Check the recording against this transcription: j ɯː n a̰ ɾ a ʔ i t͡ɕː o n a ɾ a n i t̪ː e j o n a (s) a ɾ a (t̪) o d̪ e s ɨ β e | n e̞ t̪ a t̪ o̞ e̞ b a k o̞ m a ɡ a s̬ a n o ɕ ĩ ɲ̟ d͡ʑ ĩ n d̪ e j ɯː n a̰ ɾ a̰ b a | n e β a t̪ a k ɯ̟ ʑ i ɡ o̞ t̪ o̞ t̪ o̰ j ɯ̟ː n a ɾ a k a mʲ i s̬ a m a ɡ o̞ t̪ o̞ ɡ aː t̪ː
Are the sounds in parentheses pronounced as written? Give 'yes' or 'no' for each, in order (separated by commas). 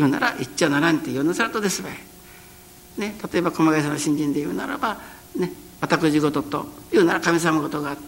yes, yes